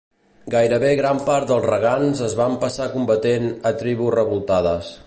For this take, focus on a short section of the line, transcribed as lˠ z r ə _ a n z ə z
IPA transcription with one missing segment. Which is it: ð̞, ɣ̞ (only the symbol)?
ɣ̞